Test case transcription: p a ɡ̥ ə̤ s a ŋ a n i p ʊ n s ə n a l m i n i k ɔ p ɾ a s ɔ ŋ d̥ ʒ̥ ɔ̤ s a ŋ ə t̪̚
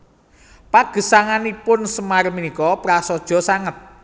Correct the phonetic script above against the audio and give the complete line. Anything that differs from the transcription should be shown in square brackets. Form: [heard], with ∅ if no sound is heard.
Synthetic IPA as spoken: p a ɡ̥ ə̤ s a ŋ a n i p ʊ n s ə [m] a [r] m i n i k ɔ p ɾ a s ɔ [∅] d̥ ʒ̥ ɔ̤ s a ŋ ə t̪̚